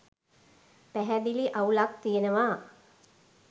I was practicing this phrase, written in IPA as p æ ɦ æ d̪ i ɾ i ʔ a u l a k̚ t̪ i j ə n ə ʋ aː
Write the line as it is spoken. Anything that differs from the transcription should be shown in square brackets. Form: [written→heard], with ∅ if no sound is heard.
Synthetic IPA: p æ ɦ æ d̪ i [ɾ→l] i ʔ a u l a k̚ t̪ i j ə n ə ʋ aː